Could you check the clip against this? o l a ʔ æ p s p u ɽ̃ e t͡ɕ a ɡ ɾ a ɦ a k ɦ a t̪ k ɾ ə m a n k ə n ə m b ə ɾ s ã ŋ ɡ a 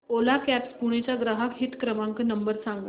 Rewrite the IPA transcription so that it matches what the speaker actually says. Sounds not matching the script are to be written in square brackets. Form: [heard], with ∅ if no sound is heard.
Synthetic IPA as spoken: o l a [k] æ p s p u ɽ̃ e t͡ɕ a ɡ ɾ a ɦ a k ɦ [i] t̪ k ɾ ə m a [ŋ] k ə n ə m b ə ɾ s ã ŋ ɡ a